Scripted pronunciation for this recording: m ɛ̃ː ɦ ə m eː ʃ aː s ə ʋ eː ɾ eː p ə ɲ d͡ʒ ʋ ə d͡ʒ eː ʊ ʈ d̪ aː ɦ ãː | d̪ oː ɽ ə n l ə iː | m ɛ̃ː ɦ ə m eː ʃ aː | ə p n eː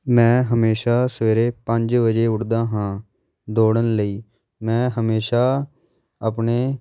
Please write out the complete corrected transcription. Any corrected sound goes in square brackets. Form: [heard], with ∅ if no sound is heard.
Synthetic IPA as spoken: m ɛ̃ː ɦ ə m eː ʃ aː s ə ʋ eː ɾ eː p ə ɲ d͡ʒ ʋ ə d͡ʒ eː ʊ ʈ d̪ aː ɦ ãː | d̪ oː ɽ ə n l ə iː | m ɛ̃ː ɦ ə m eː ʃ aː | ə p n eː